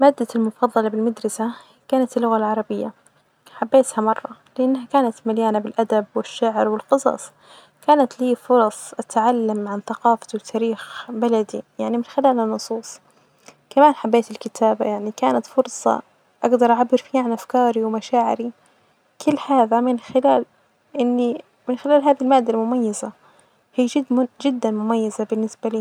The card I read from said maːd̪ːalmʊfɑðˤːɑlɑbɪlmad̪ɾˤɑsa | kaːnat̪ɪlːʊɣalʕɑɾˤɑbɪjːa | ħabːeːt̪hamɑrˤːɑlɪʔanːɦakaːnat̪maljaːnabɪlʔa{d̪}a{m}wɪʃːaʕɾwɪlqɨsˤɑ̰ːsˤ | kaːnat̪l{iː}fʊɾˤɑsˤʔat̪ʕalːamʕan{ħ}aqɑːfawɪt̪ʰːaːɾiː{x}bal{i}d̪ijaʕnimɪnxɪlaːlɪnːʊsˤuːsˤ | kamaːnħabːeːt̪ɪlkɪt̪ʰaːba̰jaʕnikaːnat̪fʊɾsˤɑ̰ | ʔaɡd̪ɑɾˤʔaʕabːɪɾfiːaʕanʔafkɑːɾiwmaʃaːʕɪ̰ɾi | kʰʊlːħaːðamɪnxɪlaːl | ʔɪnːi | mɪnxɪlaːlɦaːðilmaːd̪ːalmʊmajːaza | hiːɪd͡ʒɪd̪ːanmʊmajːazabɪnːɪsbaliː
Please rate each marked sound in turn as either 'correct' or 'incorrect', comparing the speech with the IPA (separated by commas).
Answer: correct, incorrect, correct, incorrect, correct, incorrect